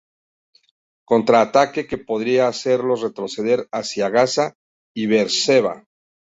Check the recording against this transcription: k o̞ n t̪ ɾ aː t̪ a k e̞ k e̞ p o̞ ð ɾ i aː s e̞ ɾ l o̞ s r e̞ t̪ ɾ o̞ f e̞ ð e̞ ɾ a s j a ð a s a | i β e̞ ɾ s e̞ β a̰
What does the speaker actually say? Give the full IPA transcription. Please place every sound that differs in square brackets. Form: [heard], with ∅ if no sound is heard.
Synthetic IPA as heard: k o̞ n t̪ ɾ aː t̪ a k e̞ k e̞ p o̞ ð ɾ i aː s e̞ ɾ l o̞ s r e̞ t̪ ɾ o̞ [s] e̞ ð e̞ ɾ a s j a [ɣ] a s a | i β e̞ ɾ s e̞ β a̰